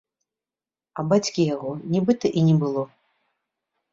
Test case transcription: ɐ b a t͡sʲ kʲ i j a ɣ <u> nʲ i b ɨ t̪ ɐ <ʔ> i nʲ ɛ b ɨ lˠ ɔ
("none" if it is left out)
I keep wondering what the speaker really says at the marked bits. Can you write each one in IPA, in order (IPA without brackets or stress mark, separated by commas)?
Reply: ɔ, ʔ